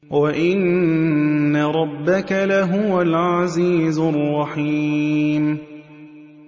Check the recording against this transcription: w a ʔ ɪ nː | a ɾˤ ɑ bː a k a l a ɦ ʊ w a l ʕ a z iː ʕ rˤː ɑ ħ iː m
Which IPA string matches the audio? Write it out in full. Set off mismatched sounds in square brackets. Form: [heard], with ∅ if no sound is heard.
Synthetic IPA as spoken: w a ʔ ɪ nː | a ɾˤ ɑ bː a k a l a ɦ ʊ w a l ʕ a z iː [z] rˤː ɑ ħ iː m